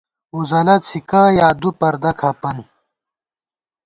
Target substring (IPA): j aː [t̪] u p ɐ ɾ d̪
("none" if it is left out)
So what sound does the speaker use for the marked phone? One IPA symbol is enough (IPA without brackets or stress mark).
d̪